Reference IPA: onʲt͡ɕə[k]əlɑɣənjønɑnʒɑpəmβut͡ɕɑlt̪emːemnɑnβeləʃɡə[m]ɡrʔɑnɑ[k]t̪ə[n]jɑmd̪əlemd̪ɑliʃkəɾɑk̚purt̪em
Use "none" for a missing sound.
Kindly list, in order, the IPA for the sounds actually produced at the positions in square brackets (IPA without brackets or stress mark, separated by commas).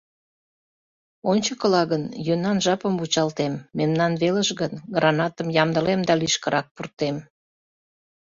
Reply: k, n, none, m